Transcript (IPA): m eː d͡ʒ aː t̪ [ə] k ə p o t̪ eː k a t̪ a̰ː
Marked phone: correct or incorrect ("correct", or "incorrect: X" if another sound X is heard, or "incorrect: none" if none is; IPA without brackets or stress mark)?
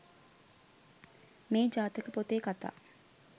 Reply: correct